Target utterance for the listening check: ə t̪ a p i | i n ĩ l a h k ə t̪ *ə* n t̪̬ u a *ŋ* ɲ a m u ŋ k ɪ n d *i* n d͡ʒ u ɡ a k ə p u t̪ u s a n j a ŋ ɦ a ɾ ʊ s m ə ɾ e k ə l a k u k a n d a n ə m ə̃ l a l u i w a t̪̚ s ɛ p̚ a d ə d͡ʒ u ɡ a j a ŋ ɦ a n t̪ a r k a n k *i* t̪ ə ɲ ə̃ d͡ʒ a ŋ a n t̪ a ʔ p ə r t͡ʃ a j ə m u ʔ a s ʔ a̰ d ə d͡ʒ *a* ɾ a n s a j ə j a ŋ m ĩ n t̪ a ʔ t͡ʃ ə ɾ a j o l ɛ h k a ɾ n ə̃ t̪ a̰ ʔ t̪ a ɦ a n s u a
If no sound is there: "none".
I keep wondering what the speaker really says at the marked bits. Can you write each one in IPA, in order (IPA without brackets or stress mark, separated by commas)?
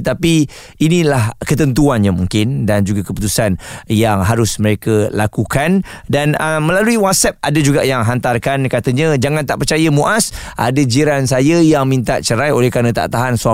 ə, n, a, a, i